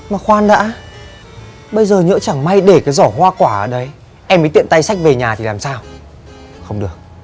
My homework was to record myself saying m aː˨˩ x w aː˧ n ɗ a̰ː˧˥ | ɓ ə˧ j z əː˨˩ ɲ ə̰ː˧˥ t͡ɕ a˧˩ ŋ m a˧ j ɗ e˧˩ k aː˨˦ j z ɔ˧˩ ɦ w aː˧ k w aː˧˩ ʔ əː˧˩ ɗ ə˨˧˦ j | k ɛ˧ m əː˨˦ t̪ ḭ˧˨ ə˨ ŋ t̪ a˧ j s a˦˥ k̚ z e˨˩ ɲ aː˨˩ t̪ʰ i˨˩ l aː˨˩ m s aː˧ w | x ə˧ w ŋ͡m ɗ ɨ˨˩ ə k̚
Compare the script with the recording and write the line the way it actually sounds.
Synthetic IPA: m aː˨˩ x w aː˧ n ɗ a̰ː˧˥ | ɓ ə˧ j z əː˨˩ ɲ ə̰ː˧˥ t͡ɕ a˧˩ ŋ m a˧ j ɗ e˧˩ k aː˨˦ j z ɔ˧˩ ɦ w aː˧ k w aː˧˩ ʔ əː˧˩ ɗ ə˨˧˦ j | ʔ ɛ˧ m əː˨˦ t̪ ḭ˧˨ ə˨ n t̪ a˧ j s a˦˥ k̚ v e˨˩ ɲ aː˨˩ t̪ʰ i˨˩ l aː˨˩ m s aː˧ w | x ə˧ w ŋ͡m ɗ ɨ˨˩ ə k̚